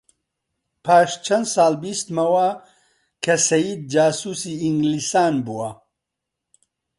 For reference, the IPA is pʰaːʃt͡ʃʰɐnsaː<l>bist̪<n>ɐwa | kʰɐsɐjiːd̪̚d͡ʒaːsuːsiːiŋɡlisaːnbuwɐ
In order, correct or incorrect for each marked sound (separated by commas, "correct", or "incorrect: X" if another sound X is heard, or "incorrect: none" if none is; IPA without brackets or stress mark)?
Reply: correct, incorrect: m